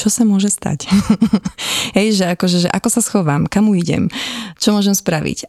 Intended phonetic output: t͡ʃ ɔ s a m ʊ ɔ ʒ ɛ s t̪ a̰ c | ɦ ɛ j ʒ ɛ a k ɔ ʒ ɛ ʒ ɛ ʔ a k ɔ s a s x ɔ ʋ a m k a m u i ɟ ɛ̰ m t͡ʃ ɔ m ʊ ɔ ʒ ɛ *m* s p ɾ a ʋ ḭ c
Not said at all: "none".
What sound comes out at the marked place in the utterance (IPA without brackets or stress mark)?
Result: m